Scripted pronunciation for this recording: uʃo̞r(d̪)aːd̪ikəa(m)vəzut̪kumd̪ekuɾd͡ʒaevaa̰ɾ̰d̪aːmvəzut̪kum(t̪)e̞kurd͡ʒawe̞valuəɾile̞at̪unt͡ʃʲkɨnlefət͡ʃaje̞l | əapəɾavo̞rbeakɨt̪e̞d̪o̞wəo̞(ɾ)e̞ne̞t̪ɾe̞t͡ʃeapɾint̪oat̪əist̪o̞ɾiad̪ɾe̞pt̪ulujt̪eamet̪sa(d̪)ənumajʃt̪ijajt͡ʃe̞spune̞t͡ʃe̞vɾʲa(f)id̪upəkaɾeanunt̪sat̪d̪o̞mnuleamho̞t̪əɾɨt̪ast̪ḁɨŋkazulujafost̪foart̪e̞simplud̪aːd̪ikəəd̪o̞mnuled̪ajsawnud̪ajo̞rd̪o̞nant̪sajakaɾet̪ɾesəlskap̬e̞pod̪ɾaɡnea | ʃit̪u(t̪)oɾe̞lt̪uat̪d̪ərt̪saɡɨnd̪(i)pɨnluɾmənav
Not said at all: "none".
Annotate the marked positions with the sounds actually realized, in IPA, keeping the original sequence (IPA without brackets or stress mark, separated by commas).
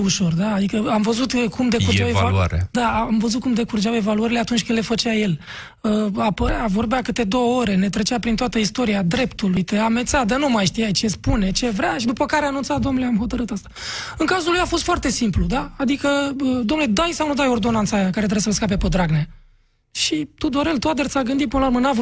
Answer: d̪, m, d̪, ɾ, d̪, ʃ, d̪, i